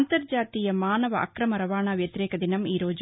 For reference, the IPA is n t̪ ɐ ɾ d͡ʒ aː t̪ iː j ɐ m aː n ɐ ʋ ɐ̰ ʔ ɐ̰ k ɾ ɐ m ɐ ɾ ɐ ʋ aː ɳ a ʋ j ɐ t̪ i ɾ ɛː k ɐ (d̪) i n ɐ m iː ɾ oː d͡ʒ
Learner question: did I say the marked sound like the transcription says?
yes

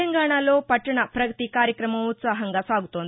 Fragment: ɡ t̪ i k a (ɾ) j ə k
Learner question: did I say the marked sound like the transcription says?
yes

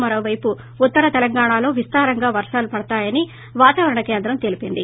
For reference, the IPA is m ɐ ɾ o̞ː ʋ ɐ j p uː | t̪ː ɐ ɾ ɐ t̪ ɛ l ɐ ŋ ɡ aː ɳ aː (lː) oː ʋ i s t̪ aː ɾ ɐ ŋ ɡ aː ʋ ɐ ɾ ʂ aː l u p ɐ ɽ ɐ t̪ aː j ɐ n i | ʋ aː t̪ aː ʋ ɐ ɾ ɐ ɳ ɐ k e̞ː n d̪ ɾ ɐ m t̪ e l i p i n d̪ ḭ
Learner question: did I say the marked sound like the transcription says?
no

